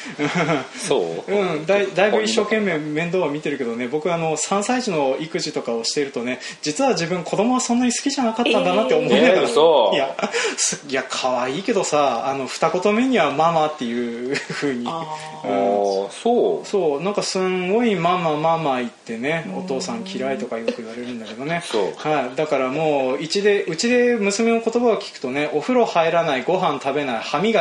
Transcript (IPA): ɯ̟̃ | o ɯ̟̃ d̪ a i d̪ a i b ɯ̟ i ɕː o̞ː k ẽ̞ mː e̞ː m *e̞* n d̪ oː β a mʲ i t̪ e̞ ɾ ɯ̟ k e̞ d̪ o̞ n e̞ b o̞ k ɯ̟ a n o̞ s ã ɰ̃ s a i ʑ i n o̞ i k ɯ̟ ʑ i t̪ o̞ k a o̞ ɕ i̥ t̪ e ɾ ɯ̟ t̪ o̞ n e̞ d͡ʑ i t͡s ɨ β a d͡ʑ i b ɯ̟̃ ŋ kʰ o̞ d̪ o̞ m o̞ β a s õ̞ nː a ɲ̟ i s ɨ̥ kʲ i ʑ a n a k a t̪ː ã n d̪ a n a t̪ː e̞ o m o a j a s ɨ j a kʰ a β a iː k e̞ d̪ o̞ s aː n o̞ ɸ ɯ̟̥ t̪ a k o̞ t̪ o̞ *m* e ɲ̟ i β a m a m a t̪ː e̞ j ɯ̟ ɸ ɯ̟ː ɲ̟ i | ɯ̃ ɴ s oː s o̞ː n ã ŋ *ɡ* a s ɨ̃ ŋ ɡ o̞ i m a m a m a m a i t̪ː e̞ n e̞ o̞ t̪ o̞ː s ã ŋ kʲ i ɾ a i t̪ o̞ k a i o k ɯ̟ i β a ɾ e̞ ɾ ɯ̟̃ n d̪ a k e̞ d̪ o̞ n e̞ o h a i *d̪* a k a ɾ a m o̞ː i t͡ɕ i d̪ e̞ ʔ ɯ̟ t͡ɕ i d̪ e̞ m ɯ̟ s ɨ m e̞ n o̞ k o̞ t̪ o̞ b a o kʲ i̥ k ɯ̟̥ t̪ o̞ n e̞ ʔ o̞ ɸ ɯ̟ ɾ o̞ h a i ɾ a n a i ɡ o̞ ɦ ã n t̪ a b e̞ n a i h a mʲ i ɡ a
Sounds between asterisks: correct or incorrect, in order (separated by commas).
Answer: incorrect, correct, incorrect, correct